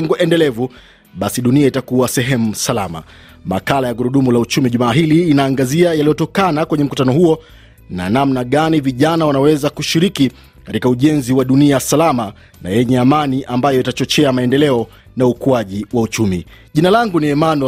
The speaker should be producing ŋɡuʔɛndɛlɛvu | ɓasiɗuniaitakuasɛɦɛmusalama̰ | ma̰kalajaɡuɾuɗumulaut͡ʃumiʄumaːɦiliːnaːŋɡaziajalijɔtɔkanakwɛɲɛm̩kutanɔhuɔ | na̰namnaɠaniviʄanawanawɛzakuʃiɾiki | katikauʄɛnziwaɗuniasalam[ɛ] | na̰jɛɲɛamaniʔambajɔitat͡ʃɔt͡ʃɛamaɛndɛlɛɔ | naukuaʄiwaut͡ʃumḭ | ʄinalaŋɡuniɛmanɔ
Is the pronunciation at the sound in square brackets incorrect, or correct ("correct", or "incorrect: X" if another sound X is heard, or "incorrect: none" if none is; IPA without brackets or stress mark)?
incorrect: a